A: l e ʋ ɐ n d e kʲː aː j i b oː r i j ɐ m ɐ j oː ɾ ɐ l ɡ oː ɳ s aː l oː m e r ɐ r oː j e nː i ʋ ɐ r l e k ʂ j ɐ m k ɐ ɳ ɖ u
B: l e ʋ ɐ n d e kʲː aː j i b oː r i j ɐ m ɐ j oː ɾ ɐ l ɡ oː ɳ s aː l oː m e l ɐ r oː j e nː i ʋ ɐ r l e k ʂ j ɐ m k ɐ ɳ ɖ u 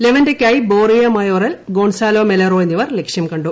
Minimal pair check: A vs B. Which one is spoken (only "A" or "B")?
B